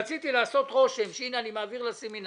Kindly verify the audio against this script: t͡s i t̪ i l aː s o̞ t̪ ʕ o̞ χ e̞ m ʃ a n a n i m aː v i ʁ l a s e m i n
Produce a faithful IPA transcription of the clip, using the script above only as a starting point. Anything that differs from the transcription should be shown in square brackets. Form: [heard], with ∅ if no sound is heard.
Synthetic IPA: t͡s i t̪ i l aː s o̞ t̪ [ʁ] o̞ [ʃ] e̞ m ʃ [i] n a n i m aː v i ʁ l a s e m i n